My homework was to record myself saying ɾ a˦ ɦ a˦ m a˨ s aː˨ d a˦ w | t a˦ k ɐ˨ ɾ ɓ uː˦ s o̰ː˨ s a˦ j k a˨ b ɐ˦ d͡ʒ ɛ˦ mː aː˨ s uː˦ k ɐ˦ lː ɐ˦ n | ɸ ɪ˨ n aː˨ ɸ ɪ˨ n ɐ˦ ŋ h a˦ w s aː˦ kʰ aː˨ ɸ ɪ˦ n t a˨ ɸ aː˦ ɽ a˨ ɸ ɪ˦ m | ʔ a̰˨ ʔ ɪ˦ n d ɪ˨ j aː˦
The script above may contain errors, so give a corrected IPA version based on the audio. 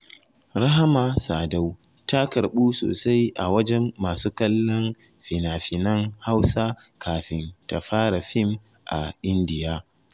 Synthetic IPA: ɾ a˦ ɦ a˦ m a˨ s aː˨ d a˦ w | t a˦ k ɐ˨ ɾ ɓ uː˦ s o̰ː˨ s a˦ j ʔ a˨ w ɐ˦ d͡ʒ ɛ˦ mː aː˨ s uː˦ k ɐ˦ lː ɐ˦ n | ɸ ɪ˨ n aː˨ ɸ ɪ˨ n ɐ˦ ŋ h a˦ w s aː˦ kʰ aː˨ ɸ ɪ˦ n t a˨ ɸ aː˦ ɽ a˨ ɸ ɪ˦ m | ʔ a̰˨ ʔ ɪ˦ n d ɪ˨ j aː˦